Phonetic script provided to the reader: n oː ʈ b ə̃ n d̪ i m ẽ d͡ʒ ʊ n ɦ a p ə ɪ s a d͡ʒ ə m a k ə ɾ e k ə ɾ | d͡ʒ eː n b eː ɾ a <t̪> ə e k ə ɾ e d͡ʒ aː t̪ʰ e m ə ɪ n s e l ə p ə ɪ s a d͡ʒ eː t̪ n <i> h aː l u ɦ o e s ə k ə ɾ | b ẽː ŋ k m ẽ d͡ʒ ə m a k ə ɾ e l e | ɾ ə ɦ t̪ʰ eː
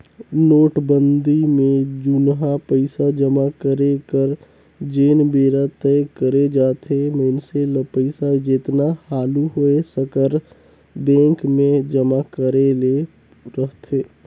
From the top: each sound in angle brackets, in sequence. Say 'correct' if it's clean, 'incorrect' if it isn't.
correct, incorrect: a

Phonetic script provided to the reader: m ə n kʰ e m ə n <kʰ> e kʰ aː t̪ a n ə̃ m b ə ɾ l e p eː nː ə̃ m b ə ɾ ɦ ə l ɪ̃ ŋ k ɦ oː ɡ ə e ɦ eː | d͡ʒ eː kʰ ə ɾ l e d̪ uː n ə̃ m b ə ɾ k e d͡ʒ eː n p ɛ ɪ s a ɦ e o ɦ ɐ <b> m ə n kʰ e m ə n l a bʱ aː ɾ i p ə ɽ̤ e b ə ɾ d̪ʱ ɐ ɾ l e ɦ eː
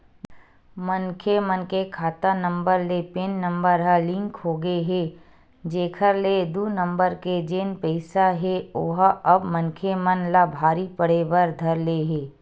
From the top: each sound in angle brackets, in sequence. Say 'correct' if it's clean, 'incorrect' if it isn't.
incorrect: k, correct

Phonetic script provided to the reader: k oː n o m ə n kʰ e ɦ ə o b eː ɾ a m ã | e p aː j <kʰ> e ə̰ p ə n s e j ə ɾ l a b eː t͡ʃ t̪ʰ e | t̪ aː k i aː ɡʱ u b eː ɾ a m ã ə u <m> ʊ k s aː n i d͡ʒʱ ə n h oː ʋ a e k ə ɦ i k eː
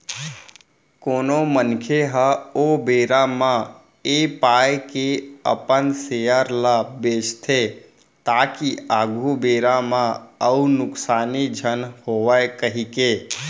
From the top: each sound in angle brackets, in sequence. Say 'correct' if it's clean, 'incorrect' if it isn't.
incorrect: k, incorrect: n

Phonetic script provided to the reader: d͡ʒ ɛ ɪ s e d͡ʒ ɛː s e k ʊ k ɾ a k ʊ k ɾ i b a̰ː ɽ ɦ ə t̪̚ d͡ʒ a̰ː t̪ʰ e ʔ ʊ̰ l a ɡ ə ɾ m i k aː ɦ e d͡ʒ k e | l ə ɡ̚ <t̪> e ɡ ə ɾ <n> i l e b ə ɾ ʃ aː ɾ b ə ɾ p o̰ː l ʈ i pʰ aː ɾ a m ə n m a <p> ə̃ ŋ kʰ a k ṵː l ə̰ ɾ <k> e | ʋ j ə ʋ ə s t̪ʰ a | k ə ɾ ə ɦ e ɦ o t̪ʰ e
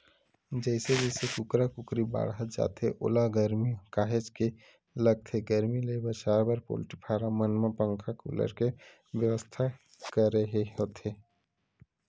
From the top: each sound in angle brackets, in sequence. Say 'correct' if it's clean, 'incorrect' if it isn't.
incorrect: t̪ʰ, incorrect: m, correct, correct

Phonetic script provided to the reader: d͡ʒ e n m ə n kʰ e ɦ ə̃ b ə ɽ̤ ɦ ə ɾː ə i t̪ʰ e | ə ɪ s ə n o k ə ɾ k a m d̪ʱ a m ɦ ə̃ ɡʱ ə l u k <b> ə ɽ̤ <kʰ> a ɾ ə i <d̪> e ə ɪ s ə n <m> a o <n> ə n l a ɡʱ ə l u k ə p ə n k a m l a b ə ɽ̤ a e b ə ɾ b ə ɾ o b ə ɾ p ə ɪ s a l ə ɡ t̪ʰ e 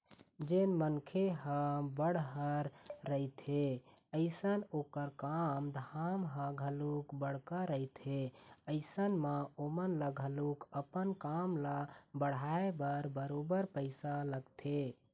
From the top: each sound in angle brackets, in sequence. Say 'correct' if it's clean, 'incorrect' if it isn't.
correct, incorrect: k, incorrect: t̪, correct, incorrect: m

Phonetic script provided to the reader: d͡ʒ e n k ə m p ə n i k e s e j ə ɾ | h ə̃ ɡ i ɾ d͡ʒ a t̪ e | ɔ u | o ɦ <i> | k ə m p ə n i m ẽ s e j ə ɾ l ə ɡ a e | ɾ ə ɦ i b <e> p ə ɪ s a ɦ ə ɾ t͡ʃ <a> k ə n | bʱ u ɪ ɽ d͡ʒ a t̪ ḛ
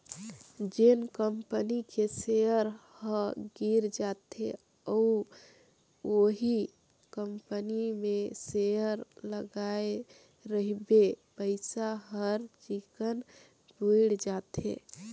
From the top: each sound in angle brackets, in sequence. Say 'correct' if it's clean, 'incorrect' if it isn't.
correct, correct, incorrect: i

